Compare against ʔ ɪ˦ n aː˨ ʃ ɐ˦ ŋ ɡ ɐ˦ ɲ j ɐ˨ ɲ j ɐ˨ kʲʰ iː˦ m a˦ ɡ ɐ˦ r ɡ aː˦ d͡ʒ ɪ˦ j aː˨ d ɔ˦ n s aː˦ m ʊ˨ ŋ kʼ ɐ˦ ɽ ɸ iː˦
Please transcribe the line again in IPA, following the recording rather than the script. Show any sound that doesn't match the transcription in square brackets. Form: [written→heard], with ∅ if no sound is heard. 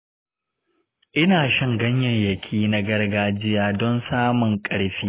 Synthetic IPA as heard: ʔ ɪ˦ n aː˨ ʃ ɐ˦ ŋ ɡ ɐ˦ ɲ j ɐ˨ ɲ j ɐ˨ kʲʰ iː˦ [m→n] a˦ ɡ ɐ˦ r ɡ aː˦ d͡ʒ ɪ˦ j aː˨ d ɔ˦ n s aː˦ m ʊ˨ ŋ kʼ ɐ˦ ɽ ɸ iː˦